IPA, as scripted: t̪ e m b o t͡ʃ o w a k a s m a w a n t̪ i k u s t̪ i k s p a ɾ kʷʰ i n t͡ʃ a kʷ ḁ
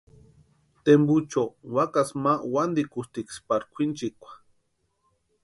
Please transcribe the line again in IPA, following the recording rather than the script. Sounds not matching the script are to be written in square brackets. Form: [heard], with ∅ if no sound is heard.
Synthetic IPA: t̪ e m b [u] t͡ʃ o w a k a s m a w a n [d̪] i k u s t̪ i k s p a ɾ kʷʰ i n t͡ʃ [i] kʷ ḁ